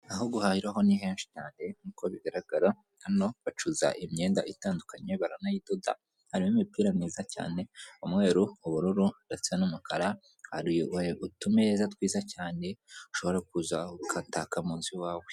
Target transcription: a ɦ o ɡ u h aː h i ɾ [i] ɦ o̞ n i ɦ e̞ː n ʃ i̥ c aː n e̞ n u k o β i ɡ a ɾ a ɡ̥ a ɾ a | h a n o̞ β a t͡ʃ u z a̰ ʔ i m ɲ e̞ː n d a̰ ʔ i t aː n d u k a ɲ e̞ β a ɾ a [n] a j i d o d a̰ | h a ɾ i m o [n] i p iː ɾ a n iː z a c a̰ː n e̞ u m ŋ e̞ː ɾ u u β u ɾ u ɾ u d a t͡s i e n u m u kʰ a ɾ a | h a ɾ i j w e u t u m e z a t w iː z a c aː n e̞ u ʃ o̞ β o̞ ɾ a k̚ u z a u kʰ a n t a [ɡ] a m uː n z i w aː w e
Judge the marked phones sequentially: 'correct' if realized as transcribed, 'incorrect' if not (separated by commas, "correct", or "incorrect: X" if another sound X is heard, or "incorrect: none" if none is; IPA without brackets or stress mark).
incorrect: a, correct, incorrect: m, incorrect: k